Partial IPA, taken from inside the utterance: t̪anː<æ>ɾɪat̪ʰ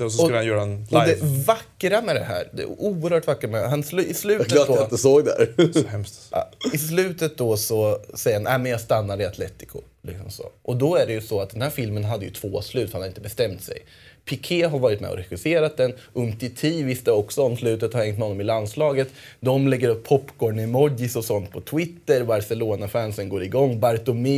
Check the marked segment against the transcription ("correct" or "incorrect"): incorrect